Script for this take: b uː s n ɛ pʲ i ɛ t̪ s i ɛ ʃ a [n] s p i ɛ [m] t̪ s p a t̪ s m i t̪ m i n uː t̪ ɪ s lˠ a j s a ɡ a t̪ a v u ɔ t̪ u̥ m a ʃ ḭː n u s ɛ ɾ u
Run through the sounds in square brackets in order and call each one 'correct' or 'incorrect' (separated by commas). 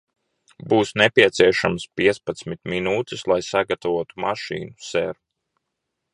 incorrect, incorrect